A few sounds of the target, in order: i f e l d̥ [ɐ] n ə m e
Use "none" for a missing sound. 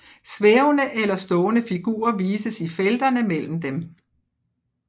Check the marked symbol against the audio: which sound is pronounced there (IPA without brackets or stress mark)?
ɐ